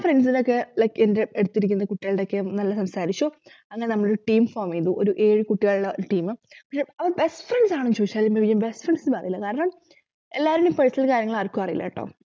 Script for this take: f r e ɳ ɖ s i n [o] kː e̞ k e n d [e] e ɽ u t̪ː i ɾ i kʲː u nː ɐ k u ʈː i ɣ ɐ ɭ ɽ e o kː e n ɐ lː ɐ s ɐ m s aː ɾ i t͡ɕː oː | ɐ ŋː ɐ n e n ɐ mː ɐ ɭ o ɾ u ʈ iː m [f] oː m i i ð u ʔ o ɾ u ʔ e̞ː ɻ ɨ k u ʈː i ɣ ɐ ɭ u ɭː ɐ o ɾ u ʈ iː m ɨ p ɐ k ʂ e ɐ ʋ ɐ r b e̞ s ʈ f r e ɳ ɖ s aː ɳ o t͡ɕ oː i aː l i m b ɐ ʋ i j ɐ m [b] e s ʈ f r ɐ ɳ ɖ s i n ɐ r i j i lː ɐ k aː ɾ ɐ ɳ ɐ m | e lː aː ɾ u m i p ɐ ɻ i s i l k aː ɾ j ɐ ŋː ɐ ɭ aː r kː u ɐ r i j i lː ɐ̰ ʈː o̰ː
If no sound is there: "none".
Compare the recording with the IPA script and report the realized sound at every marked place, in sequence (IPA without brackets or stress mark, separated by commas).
o, e, f, b